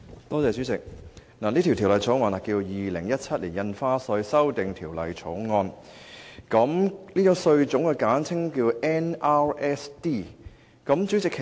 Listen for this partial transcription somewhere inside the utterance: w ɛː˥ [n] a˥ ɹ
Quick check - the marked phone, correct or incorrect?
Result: correct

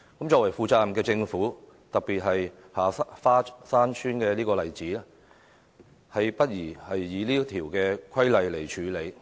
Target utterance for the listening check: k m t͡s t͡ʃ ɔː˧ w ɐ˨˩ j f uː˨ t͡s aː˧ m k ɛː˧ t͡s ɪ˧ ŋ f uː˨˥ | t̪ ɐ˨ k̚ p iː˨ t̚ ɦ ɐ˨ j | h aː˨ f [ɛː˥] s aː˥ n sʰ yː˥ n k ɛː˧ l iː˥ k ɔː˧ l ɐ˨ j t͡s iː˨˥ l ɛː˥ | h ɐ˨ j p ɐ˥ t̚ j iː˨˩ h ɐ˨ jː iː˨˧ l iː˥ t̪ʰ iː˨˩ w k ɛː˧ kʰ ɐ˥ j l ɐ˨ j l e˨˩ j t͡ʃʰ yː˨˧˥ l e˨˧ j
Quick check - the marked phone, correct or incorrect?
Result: incorrect: aː˥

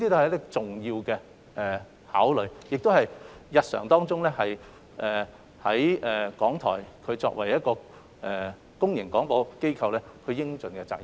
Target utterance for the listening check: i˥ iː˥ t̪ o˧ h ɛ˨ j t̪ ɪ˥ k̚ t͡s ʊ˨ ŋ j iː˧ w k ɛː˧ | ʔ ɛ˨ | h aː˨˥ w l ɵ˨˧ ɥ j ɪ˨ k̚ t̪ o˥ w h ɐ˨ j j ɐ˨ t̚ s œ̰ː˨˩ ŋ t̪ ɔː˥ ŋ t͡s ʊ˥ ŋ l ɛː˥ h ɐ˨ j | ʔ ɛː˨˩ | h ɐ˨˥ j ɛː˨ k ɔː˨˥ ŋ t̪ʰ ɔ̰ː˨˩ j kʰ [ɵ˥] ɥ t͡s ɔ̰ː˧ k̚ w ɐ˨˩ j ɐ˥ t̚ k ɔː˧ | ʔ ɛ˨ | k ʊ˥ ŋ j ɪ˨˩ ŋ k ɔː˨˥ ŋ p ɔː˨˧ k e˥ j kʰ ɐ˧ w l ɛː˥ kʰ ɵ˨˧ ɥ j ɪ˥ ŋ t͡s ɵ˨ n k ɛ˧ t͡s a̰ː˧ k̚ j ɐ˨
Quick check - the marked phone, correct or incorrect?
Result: incorrect: ɵ˨˧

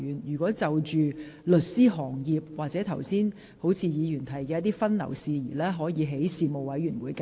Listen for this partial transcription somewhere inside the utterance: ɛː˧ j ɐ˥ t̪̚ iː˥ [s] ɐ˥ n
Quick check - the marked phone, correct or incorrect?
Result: incorrect: f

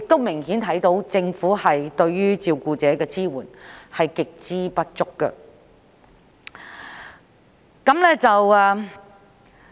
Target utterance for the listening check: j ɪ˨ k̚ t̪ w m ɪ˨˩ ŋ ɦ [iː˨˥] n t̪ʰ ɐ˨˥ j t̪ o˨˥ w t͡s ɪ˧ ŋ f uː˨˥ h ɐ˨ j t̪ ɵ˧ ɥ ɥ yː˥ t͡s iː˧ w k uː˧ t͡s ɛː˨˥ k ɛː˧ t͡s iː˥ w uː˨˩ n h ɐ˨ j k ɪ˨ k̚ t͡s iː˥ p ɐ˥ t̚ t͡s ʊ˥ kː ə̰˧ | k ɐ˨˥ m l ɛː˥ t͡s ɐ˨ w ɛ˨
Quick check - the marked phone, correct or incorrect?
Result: correct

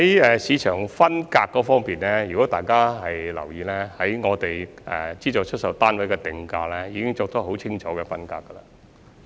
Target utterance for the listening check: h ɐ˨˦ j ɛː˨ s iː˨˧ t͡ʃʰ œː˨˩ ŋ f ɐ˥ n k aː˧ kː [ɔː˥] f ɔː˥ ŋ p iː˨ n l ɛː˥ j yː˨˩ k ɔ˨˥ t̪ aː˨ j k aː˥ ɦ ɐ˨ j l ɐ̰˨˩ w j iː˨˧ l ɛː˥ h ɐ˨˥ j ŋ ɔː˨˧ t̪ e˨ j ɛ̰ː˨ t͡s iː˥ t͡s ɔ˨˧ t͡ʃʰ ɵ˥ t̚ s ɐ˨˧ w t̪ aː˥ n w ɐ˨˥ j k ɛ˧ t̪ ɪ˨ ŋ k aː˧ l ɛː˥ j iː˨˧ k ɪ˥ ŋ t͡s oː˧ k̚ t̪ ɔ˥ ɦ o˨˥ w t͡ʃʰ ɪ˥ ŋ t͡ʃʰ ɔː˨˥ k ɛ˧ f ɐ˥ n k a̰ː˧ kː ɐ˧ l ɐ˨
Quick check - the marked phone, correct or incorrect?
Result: incorrect: ɔː˨˥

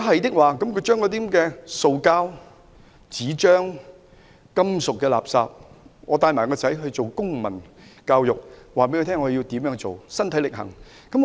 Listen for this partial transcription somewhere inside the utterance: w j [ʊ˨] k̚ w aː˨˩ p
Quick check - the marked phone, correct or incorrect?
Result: correct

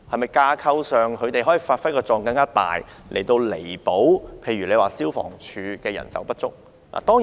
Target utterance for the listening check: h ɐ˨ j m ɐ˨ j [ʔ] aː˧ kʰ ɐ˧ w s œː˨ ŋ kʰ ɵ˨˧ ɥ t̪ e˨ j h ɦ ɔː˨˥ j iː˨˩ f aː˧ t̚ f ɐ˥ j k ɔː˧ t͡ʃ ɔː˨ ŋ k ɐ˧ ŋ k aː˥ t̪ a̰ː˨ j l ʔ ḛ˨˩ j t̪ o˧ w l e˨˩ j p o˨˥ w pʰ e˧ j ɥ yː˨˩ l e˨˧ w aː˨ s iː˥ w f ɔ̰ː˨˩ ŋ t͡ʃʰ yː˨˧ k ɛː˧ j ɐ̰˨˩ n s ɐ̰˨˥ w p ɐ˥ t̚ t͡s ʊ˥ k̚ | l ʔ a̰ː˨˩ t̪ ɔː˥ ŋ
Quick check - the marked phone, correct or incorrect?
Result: incorrect: k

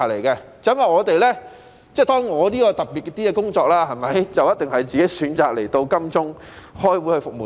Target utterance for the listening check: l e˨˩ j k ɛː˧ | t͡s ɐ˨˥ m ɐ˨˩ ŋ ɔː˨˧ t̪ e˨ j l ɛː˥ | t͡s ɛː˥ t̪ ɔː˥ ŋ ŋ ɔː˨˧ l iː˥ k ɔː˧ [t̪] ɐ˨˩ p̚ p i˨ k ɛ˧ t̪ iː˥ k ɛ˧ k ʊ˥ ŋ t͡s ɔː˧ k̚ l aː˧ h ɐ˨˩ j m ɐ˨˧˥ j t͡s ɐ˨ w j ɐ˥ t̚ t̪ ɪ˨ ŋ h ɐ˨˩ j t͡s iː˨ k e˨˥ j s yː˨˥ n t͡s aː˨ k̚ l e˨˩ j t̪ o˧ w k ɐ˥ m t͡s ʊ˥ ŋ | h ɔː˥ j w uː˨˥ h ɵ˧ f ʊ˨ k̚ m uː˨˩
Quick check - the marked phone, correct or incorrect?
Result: correct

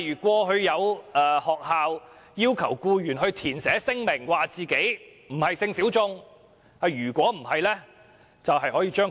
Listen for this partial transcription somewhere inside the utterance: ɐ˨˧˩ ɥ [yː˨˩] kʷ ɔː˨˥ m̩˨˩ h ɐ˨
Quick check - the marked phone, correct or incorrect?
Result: correct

